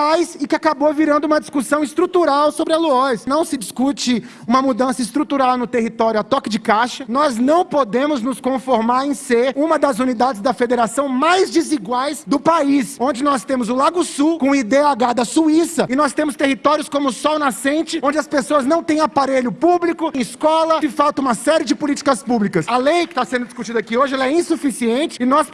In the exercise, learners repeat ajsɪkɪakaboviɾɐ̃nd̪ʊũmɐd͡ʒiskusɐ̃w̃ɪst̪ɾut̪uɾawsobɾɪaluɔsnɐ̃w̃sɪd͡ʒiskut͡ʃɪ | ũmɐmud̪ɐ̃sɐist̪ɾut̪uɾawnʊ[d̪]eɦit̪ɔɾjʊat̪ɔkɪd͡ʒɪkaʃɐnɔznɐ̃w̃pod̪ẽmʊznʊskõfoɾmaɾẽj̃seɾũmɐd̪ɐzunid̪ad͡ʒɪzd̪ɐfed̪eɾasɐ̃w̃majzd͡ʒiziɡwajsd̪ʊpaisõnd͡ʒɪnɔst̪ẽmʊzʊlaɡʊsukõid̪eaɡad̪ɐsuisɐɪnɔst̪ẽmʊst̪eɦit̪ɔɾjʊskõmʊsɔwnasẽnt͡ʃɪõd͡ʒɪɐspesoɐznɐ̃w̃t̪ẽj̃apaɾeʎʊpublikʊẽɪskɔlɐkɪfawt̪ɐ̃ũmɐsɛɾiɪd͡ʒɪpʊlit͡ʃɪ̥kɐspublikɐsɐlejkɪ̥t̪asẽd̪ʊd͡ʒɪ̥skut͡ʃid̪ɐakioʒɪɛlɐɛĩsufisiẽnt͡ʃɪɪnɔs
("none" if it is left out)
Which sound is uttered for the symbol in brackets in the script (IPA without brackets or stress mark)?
t̪